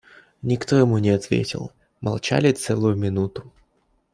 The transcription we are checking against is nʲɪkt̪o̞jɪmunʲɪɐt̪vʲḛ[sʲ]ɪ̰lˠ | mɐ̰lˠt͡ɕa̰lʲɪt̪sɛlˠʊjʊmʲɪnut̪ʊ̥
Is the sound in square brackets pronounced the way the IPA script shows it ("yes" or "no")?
no